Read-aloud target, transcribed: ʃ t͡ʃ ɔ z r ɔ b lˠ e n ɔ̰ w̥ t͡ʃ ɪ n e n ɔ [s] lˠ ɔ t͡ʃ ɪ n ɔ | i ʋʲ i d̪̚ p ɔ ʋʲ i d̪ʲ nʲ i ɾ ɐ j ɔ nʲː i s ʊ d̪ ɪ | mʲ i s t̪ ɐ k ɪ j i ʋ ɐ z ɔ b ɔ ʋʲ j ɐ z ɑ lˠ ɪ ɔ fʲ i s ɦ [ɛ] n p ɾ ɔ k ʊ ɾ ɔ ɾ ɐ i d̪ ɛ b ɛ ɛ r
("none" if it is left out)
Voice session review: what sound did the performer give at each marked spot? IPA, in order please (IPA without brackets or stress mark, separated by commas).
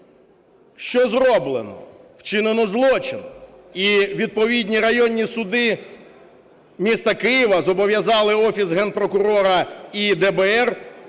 z, ɛ